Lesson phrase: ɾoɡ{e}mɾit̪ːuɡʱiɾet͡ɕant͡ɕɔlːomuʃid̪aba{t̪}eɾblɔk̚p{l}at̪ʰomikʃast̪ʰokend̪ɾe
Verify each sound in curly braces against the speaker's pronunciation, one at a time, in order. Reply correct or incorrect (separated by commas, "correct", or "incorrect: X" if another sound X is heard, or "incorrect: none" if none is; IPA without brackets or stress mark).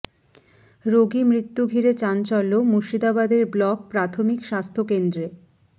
incorrect: i, incorrect: d̪, incorrect: ɾ